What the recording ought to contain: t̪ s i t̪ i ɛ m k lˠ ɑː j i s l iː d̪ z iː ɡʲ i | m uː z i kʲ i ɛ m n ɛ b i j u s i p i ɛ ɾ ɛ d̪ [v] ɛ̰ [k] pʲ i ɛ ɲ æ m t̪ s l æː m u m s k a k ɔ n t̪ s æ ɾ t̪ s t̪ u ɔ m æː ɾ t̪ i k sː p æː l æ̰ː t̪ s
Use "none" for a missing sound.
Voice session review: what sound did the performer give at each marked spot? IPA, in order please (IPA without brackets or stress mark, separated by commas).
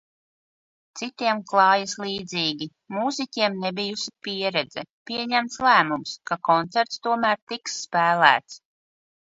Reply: z, none